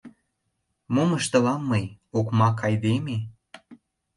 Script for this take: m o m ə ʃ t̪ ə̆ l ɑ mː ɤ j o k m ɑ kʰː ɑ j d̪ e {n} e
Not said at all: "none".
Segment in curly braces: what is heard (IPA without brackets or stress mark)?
m